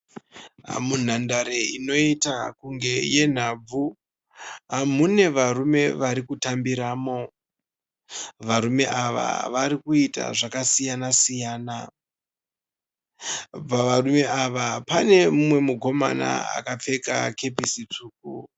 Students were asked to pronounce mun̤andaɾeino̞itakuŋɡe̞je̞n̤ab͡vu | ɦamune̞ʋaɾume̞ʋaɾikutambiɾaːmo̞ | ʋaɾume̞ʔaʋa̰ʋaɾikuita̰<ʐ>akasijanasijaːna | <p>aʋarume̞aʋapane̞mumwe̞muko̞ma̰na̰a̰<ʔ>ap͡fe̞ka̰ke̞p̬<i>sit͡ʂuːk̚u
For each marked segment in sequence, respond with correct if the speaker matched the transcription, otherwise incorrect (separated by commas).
correct, correct, incorrect, correct